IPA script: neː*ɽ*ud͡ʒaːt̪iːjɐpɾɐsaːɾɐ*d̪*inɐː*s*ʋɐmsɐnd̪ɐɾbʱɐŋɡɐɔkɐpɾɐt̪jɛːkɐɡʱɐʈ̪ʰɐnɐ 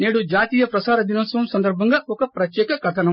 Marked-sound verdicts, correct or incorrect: correct, correct, correct

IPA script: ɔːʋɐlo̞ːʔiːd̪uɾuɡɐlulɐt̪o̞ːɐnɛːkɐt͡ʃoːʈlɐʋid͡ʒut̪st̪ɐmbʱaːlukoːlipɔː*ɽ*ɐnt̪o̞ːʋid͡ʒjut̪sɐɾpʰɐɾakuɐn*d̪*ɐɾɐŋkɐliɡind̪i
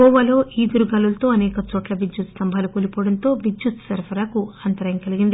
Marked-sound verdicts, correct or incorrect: correct, incorrect: t̪

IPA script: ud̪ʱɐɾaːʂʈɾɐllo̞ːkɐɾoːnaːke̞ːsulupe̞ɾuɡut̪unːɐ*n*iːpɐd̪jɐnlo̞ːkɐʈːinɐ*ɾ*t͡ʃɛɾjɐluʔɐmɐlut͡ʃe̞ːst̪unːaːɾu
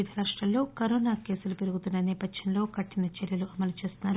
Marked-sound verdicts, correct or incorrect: correct, incorrect: none

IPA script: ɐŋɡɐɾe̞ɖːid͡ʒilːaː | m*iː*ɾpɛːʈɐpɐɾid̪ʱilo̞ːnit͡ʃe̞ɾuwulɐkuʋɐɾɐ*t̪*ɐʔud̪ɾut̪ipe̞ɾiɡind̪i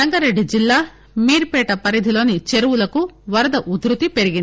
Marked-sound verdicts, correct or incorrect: correct, incorrect: d̪

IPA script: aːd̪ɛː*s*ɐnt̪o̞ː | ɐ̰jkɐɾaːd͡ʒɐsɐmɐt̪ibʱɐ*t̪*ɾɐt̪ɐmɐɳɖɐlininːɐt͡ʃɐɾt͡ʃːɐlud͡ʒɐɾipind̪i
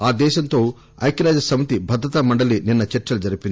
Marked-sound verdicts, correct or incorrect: incorrect: ʃ, incorrect: d̪

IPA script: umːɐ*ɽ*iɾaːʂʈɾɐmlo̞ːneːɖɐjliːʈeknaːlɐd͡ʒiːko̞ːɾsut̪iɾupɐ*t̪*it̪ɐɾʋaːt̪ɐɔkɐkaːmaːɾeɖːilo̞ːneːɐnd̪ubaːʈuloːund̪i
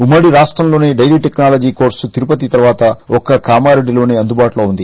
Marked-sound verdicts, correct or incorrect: correct, correct

